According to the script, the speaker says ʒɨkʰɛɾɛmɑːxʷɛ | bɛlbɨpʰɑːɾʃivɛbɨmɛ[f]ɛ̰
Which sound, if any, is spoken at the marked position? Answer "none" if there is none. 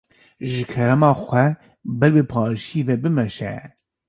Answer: ʃ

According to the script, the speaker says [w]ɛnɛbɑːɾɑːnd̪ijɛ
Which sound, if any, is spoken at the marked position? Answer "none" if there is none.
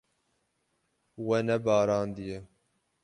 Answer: w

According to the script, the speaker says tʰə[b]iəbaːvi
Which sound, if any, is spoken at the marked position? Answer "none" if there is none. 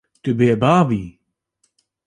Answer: b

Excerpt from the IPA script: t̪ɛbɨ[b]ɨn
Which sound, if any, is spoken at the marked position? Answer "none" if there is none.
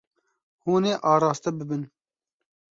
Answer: b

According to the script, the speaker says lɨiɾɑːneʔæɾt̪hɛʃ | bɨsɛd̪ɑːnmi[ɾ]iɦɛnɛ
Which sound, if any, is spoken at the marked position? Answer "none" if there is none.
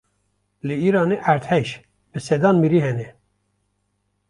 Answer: ɾ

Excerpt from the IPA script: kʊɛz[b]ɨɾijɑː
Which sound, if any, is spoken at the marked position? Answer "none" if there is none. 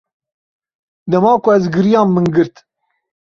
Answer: ɡ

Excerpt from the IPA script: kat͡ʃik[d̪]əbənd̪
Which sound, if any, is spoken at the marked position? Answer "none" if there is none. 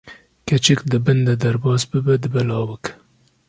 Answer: d̪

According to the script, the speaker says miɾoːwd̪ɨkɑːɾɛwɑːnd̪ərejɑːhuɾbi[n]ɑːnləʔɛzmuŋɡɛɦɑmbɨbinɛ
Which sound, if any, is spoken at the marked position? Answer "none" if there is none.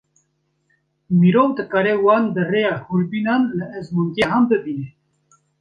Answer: n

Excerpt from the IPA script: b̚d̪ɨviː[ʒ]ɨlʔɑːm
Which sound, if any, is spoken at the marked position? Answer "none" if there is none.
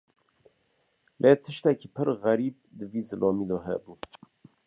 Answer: z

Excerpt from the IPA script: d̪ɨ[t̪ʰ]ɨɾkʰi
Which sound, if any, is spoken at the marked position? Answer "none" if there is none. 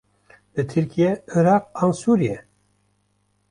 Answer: t̪ʰ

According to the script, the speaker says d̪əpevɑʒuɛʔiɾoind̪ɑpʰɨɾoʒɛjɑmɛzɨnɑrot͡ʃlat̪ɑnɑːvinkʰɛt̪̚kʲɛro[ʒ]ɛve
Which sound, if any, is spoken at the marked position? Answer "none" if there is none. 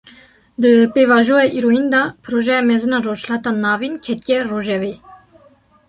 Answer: ʒ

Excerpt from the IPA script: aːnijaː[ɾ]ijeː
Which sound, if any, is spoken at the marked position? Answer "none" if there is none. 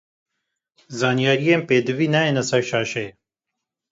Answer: ɾ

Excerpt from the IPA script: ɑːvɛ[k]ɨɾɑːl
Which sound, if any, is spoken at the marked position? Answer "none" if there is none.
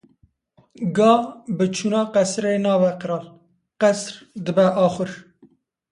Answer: q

